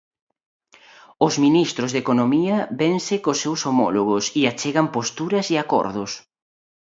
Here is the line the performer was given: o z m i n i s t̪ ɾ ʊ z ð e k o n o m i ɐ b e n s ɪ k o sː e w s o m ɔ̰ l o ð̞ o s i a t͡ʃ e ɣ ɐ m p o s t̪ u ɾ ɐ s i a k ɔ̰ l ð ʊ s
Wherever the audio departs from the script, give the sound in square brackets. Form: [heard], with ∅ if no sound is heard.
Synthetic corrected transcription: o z m i n i s t̪ ɾ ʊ z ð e k o n o m i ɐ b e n s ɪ k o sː e w s o m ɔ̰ l o [ɣ̞] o s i a t͡ʃ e ɣ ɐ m p o s t̪ u ɾ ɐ s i a k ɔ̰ [ɾ] ð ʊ s